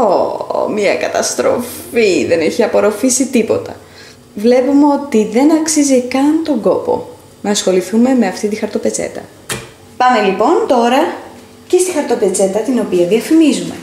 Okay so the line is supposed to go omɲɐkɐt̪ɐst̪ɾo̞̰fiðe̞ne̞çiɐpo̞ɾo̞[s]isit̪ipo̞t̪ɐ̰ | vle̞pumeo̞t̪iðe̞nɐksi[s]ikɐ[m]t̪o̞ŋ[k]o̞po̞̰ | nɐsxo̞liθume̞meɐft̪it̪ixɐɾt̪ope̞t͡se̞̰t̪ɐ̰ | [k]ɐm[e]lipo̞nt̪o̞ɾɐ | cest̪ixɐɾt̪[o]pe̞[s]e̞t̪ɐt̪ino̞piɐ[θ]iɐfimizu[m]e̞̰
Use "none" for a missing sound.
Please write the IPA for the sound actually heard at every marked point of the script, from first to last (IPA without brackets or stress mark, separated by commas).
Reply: f, z, n, ɡ, p, e, o, t͡s, ð, m